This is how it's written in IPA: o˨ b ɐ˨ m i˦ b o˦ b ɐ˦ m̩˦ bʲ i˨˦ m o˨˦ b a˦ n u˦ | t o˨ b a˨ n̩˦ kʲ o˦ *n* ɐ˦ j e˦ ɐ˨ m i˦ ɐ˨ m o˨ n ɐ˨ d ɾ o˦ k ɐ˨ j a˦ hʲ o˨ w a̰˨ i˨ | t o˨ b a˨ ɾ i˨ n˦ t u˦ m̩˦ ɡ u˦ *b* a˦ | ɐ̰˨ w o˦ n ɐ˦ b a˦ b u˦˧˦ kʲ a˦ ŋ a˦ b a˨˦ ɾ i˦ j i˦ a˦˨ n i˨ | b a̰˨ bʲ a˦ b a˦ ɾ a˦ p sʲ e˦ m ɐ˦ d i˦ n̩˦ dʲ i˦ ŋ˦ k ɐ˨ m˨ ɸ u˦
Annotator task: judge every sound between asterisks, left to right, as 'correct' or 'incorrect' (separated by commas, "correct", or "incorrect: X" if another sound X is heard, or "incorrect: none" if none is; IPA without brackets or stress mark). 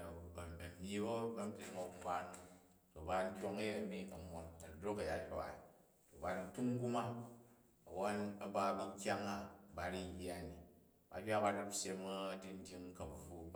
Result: incorrect: ŋ, incorrect: m